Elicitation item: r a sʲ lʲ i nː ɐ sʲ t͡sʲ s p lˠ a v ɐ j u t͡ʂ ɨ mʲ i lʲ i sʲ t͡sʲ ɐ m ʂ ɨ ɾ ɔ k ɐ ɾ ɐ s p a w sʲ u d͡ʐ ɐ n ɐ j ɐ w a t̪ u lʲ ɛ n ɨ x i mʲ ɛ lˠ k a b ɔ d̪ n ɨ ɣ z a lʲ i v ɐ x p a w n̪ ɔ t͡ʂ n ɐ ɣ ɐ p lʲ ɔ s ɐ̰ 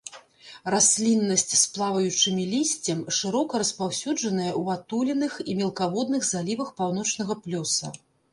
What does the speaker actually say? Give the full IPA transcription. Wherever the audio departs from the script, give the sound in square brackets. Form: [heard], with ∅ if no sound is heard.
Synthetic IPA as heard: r a sʲ lʲ i nː ɐ sʲ t͡sʲ s p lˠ a v ɐ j u t͡ʂ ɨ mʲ i lʲ i sʲ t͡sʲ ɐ m ʂ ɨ ɾ ɔ k ɐ ɾ ɐ s p a w sʲ u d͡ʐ ɐ n ɐ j ɐ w a t̪ u lʲ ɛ n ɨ x i mʲ ɛ lˠ k a [v] ɔ d̪ n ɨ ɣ z a lʲ i v ɐ x p a w n̪ ɔ t͡ʂ n ɐ ɣ ɐ p lʲ ɔ s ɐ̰